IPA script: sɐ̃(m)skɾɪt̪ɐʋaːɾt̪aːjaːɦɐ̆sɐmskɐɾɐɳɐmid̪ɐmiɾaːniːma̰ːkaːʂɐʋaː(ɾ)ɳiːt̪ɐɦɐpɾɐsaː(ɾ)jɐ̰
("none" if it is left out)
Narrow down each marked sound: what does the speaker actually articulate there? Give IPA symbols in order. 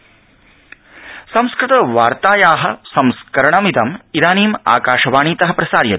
m, none, ɾ

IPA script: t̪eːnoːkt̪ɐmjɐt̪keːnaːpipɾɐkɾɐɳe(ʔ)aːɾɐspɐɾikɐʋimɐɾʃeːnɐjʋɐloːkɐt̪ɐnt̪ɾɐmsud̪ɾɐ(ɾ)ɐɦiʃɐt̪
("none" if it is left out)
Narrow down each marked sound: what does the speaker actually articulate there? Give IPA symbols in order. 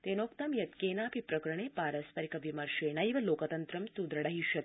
p, ɽ

